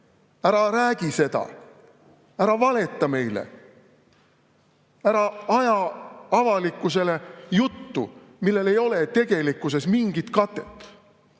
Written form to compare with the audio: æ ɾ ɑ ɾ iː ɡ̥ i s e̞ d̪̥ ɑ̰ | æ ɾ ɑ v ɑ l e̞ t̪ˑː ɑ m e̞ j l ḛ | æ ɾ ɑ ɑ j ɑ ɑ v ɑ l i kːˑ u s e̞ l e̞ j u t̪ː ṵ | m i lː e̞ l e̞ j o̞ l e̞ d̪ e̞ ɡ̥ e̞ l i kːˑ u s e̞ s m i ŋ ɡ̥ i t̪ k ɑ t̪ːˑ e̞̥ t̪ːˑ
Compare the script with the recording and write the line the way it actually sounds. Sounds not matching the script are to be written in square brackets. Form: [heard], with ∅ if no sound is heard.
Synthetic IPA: æ ɾ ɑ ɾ [æː] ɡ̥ i s e̞ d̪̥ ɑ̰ | æ ɾ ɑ v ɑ l e̞ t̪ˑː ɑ m e̞ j l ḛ | æ ɾ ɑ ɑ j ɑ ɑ v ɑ l i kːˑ u s e̞ l e̞ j u t̪ː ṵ | m i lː e̞ l e̞ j o̞ l e̞ [t̪] e̞ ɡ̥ e̞ l i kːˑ u s e̞ s m i ŋ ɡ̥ i t̪ k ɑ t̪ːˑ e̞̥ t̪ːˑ